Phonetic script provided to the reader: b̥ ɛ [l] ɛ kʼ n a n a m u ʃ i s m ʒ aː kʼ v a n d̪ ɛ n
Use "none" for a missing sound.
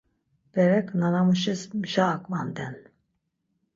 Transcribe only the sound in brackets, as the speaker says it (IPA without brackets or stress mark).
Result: ɾ